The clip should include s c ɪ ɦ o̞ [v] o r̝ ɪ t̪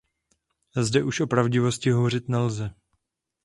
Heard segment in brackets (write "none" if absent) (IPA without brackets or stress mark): v